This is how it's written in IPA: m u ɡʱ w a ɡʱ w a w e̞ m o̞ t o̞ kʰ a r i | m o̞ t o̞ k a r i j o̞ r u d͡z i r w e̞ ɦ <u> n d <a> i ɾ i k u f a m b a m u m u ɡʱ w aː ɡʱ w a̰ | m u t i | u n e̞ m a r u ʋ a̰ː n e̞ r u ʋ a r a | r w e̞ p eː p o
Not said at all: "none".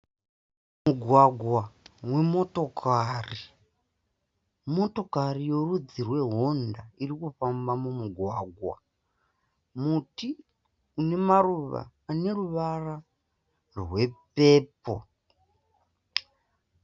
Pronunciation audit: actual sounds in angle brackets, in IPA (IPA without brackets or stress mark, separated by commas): o, a